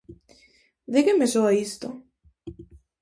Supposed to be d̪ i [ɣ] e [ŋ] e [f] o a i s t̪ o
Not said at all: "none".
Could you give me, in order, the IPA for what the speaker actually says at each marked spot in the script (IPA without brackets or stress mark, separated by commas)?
ɣ, m, s